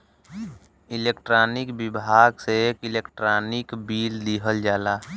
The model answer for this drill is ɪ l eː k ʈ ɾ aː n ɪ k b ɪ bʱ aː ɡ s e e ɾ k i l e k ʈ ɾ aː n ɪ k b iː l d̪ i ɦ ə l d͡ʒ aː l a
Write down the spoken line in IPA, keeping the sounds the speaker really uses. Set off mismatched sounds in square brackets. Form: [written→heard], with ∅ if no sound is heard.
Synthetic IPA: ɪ l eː k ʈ ɾ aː n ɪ k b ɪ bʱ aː ɡ s e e [ɾ→∅] k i l e k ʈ ɾ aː n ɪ k b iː l d̪ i ɦ ə l d͡ʒ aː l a